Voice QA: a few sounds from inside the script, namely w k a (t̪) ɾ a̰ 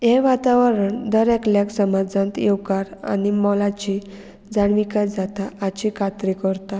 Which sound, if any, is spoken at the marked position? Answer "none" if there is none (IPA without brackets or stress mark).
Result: none